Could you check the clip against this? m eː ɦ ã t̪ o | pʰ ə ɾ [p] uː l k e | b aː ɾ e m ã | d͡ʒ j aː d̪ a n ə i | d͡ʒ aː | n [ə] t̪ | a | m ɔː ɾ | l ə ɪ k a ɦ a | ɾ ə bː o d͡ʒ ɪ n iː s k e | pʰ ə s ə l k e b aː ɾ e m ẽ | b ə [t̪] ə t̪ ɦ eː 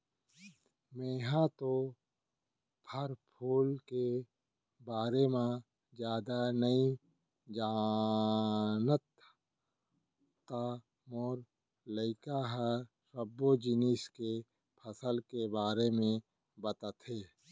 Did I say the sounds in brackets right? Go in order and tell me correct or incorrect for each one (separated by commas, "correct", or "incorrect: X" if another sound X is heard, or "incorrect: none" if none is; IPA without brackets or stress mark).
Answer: incorrect: pʰ, correct, correct